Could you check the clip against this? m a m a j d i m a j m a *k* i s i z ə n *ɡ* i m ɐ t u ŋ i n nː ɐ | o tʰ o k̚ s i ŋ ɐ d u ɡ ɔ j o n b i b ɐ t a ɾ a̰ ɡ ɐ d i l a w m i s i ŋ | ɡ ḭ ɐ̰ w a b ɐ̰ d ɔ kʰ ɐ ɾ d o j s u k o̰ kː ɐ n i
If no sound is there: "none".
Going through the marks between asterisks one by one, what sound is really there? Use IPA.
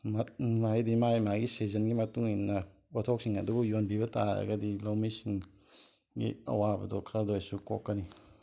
ɡ, ɡ

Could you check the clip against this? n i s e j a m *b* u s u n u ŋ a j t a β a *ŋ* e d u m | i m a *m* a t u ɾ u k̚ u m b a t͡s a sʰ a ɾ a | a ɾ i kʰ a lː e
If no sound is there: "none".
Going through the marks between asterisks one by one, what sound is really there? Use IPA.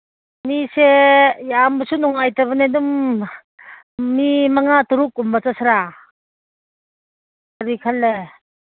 b, n, ŋ

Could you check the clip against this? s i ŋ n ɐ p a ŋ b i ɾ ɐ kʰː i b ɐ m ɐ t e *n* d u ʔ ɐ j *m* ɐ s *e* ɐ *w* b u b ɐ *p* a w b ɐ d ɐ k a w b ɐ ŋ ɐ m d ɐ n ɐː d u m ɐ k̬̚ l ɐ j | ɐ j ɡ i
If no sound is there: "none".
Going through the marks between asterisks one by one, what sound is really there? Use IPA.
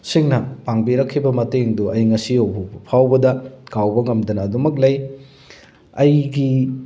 ŋ, ŋ, i, w, pʰ

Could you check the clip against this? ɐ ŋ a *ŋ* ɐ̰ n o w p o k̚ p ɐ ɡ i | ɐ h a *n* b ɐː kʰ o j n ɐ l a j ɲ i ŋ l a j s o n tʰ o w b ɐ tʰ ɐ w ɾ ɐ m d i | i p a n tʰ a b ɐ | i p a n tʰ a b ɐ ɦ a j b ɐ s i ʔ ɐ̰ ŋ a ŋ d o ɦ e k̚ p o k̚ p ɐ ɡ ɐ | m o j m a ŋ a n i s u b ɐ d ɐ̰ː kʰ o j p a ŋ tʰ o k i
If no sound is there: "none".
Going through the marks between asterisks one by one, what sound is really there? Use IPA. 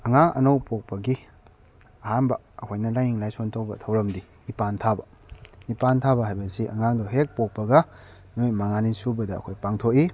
ŋ, n

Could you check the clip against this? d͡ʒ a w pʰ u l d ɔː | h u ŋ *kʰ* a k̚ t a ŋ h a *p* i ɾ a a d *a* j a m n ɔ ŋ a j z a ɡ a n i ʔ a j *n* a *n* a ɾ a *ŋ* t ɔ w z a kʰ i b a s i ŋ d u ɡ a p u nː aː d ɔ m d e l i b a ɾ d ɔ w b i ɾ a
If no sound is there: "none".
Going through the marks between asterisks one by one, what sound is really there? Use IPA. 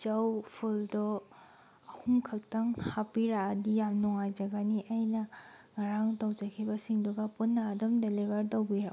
kʰ, p, i, n, ŋ, ŋ

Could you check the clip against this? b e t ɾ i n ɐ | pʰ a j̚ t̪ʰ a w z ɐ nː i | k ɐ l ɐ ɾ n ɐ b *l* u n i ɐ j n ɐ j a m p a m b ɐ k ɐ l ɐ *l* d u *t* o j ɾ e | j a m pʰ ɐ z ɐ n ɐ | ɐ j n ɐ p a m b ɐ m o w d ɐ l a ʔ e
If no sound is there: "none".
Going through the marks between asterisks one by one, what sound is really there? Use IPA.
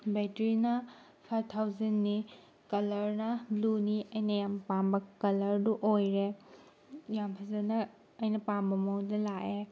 l, ɾ, ʔ

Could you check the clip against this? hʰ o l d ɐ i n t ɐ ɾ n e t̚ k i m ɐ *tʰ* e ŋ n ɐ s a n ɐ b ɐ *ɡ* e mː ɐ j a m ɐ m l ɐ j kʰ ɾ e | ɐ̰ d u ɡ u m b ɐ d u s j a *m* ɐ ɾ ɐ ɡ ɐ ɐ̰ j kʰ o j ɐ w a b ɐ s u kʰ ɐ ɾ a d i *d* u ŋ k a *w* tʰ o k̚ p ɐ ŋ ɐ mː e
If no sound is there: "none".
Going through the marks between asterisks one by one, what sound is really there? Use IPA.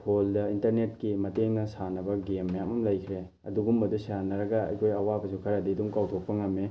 t, ɡ, n, d, w

